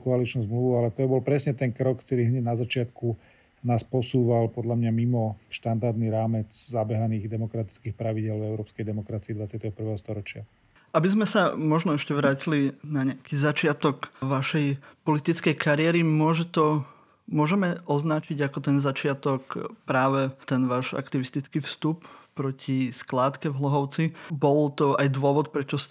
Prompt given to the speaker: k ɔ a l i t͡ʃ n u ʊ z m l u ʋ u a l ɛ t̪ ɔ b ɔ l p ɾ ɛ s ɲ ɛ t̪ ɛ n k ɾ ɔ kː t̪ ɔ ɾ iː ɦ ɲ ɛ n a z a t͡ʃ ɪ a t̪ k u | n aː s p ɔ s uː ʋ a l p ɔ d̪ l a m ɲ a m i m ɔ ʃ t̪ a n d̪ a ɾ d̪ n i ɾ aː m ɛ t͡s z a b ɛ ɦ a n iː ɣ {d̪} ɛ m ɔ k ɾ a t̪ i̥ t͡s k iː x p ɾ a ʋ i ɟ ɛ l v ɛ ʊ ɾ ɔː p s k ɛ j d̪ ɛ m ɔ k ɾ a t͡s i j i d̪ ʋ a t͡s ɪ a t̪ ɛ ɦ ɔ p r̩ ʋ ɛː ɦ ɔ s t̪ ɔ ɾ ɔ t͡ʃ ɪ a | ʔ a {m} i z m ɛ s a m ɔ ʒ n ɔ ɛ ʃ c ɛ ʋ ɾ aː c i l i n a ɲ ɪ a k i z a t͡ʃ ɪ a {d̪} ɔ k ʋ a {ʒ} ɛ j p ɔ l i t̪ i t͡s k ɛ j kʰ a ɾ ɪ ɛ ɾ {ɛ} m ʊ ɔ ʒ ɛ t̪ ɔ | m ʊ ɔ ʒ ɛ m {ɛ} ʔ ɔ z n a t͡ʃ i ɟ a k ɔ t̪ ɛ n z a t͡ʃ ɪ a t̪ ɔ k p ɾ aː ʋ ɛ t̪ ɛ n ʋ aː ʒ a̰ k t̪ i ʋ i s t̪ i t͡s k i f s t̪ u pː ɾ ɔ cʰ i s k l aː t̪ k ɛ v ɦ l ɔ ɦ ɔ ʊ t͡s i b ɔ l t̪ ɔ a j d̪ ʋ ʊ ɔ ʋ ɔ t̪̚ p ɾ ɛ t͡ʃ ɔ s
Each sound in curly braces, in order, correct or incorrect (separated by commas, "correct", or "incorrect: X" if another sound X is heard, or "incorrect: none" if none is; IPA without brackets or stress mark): correct, incorrect: b, incorrect: t̪, incorrect: ʃ, incorrect: i, correct